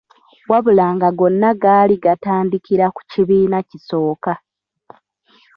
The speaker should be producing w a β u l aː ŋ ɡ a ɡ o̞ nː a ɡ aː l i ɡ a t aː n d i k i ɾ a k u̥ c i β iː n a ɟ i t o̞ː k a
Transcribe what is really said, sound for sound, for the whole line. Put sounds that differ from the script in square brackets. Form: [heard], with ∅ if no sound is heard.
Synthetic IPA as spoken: w a β u l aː ŋ ɡ a ɡ o̞ nː a ɡ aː l i ɡ a t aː n d i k i ɾ a k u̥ c i β iː n a [c] i [s] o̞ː k a